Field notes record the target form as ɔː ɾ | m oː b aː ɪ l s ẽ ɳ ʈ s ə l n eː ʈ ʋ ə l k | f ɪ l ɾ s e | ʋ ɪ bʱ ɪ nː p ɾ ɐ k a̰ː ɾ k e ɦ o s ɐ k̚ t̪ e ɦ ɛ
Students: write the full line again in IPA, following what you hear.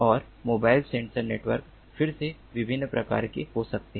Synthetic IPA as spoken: ɔː ɾ | m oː b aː ɪ l s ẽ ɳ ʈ s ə ɾ n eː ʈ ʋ ə ɾ k | f ɪ ɾ s e | ʋ ɪ bʱ ɪ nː p ɾ ɐ k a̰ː ɾ k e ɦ o s ɐ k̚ t̪ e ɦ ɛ

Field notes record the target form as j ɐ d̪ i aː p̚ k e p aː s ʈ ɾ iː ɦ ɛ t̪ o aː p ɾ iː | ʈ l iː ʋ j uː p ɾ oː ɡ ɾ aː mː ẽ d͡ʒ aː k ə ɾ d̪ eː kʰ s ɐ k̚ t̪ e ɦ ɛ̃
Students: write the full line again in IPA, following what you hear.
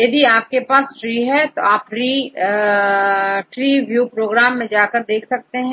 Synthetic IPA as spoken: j ɐ d̪ i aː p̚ k e p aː s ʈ ɾ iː ɦ ɛ t̪ o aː p ɾ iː | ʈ ɾ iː ʋ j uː p ɾ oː ɡ ɾ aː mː ẽ d͡ʒ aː k ə ɾ d̪ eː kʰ s ɐ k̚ t̪ e ɦ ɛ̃

